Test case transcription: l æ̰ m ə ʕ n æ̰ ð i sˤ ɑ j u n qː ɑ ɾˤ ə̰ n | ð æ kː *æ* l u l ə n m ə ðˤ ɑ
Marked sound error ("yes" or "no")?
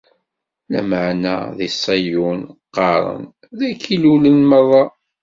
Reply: yes